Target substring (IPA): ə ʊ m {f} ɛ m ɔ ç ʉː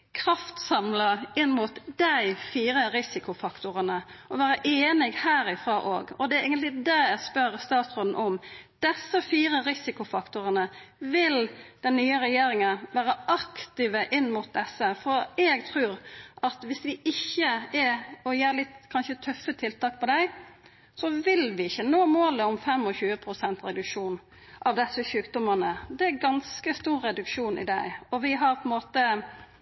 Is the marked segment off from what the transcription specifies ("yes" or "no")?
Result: no